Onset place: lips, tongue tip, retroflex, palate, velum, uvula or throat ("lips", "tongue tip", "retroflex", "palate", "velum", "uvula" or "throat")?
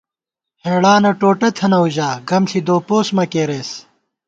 throat